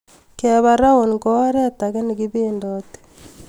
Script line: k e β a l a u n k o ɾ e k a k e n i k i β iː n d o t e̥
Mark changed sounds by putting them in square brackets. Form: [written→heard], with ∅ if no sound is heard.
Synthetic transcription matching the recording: k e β a [l→ɾ] a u n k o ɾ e [k→t] a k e n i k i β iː n d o t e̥